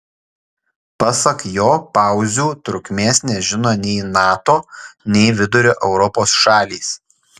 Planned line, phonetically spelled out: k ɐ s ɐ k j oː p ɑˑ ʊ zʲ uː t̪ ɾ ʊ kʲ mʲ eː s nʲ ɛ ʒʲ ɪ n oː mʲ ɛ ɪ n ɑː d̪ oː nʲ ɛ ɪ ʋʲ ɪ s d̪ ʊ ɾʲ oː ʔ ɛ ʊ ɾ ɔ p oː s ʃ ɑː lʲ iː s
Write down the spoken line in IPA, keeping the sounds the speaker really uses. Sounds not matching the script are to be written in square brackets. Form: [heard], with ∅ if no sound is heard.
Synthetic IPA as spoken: [p] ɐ s ɐ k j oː p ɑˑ ʊ zʲ uː t̪ ɾ ʊ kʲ mʲ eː s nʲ ɛ ʒʲ ɪ n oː [nʲ] ɛ ɪ n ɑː [t̪] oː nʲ ɛ ɪ ʋʲ ɪ [∅] d̪ ʊ ɾʲ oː ʔ ɛ ʊ ɾ ɔ p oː s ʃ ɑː lʲ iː s

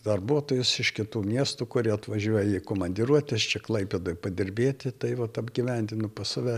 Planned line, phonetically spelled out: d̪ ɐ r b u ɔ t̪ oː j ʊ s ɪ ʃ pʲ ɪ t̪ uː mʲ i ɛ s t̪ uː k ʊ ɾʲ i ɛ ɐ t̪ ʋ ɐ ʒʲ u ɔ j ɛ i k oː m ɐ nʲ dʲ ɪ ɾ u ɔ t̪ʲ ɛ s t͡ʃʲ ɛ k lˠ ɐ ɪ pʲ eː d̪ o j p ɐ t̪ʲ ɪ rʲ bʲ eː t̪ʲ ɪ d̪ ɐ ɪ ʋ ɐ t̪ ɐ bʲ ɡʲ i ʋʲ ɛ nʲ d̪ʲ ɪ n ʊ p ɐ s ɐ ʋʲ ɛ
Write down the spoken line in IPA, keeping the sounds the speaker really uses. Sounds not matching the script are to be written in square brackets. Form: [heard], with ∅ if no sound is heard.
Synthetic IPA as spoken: d̪ ɐ r b u ɔ t̪ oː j ʊ s ɪ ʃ [kʲ] ɪ t̪ uː mʲ i ɛ s t̪ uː k ʊ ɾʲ i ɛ ɐ t̪ ʋ ɐ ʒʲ u ɔ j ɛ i k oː m ɐ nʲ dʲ ɪ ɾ u ɔ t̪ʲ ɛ s t͡ʃʲ ɛ k lˠ ɐ ɪ pʲ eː d̪ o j p ɐ [d̪ʲ] ɪ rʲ bʲ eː t̪ʲ ɪ [t̪] ɐ ɪ ʋ ɐ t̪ ɐ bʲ ɡʲ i ʋʲ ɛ nʲ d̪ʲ ɪ n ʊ p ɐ s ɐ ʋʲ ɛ

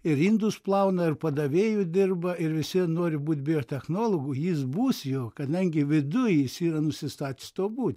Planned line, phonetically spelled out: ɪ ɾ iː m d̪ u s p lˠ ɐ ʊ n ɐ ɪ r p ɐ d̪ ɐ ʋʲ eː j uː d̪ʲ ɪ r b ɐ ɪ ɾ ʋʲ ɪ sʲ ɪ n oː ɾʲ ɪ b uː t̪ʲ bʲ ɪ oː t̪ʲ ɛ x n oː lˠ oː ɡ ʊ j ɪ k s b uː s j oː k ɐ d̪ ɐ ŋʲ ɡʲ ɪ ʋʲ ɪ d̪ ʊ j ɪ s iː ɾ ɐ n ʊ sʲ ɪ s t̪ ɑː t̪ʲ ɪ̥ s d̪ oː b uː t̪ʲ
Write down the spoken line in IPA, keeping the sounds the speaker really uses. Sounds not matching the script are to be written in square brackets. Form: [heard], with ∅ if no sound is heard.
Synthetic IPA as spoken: ɪ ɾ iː [n] d̪ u s p lˠ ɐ ʊ n ɐ ɪ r p ɐ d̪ ɐ ʋʲ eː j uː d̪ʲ ɪ r b ɐ ɪ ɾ ʋʲ ɪ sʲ ɪ n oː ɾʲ ɪ b uː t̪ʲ bʲ ɪ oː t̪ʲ ɛ x n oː lˠ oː ɡ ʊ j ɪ [∅] s b uː s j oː k ɐ d̪ ɐ ŋʲ ɡʲ ɪ ʋʲ ɪ d̪ ʊ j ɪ s iː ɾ ɐ n ʊ sʲ ɪ s t̪ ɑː t̪ʲ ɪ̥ s [t̪] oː b uː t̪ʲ

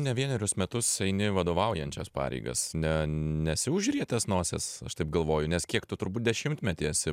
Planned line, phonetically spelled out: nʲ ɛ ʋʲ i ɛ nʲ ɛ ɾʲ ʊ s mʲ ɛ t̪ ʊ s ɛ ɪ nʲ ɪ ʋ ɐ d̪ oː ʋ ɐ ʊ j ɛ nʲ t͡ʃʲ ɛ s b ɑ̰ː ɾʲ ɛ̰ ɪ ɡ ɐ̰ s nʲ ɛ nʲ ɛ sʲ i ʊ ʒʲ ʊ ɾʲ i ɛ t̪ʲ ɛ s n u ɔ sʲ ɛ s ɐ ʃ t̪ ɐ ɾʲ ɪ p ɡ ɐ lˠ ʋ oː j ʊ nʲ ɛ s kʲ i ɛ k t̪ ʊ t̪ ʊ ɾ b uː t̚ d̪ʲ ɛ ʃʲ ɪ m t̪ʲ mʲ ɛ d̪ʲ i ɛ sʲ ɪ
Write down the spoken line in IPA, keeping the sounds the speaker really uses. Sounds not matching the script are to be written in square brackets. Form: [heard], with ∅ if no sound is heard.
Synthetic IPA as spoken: nʲ ɛ ʋʲ i ɛ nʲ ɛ ɾʲ ʊ s mʲ ɛ t̪ ʊ s ɛ ɪ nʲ ɪ ʋ ɐ d̪ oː ʋ ɐ ʊ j ɛ nʲ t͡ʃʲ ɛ s [p] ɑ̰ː ɾʲ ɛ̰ ɪ ɡ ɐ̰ s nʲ ɛ nʲ ɛ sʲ [ɪ] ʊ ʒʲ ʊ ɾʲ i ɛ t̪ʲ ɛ s n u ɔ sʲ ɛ s ɐ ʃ t̪ ɐ [∅] ɪ p ɡ ɐ lˠ ʋ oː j ʊ nʲ ɛ s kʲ i ɛ k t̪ ʊ t̪ ʊ ɾ b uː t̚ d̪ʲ ɛ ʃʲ ɪ m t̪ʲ mʲ ɛ [t̪ʲ] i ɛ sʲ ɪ

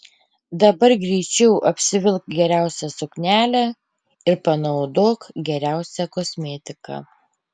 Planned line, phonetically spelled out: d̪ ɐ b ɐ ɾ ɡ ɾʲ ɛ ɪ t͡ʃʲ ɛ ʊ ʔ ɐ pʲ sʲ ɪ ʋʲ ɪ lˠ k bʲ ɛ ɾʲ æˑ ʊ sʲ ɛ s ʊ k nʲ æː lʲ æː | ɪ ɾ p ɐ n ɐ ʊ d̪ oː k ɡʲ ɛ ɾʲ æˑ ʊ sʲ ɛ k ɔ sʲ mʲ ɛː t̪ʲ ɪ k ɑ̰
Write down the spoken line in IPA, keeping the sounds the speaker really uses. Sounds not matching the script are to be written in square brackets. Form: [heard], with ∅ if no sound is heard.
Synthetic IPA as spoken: d̪ ɐ b ɐ ɾ ɡ ɾʲ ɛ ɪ t͡ʃʲ ɛ ʊ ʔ ɐ pʲ sʲ ɪ ʋʲ ɪ lˠ k [ɡʲ] ɛ ɾʲ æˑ ʊ sʲ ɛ s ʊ k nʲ æː lʲ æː | ɪ ɾ p ɐ n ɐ ʊ d̪ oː k ɡʲ ɛ ɾʲ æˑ ʊ sʲ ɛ k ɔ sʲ mʲ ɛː t̪ʲ ɪ k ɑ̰

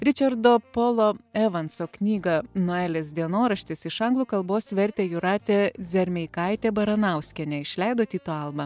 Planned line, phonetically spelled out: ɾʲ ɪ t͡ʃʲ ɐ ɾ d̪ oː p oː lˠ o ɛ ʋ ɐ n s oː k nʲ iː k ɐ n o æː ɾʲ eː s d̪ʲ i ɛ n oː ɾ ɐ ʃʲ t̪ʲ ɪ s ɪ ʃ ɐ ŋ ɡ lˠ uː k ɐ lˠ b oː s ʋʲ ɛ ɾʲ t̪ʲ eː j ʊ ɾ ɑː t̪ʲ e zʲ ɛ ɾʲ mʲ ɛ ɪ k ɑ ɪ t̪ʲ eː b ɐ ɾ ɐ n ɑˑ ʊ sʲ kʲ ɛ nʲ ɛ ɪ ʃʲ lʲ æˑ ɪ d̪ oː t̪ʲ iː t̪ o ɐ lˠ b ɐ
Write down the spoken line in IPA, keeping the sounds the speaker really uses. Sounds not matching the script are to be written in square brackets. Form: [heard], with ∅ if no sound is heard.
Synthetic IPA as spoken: ɾʲ ɪ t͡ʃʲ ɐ ɾ d̪ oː p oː lˠ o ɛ ʋ ɐ n s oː k nʲ iː [ɡ] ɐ n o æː [lʲ] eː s d̪ʲ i ɛ n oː ɾ ɐ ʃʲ t̪ʲ ɪ s ɪ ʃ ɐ ŋ ɡ lˠ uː k ɐ lˠ b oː s ʋʲ ɛ ɾʲ t̪ʲ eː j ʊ ɾ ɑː t̪ʲ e zʲ ɛ ɾʲ mʲ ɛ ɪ k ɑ ɪ t̪ʲ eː b ɐ ɾ ɐ n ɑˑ ʊ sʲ kʲ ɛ nʲ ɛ ɪ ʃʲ lʲ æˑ ɪ d̪ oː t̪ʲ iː t̪ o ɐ lˠ b ɐ

